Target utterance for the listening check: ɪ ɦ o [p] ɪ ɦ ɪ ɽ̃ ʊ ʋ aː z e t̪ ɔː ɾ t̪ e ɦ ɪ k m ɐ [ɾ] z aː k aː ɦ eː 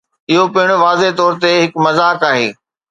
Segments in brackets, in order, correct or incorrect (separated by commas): correct, incorrect